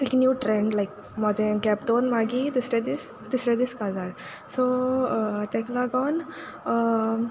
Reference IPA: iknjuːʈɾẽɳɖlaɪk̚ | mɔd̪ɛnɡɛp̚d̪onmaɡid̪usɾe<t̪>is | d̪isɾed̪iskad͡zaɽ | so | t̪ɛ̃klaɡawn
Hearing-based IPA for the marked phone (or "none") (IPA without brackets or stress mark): d̪